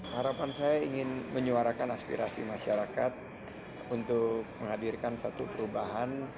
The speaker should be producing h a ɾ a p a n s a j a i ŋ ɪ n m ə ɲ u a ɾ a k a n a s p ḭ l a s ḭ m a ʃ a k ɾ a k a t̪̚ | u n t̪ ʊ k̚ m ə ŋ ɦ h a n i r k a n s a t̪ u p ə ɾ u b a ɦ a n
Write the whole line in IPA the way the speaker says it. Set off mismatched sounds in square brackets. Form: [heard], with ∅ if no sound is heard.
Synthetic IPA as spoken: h a ɾ a p a n s a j a i ŋ ɪ n m ə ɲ u a ɾ a k a n a s p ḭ [ɾ] a s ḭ m a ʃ a [∅] ɾ a k a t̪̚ | u n t̪ ʊ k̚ m ə ŋ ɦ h a [d] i r k a n s a t̪ u p ə ɾ u b a ɦ a n